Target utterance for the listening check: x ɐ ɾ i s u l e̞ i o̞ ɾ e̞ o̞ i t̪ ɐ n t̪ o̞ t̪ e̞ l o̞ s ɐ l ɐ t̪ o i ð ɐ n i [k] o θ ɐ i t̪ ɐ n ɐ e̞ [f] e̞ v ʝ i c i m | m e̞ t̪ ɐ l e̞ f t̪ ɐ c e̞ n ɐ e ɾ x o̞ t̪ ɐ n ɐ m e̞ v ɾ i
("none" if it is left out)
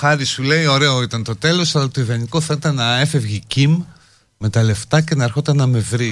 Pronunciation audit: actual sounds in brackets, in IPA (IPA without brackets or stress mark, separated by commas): k, f